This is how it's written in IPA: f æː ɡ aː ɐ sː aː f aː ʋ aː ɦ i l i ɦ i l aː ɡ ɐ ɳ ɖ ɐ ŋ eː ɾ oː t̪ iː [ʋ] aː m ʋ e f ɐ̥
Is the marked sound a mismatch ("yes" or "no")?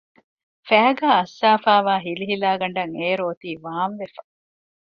no